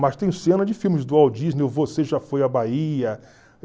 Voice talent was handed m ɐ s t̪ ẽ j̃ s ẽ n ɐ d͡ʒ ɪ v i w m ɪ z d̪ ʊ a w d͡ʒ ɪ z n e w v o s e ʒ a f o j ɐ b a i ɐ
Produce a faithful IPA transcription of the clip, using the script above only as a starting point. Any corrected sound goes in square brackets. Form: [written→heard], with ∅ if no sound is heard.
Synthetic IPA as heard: m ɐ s t̪ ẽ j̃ s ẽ n ɐ d͡ʒ ɪ [v→f] i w m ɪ z d̪ ʊ a w d͡ʒ [ɪ→i] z n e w v o s e ʒ a f o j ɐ b a i ɐ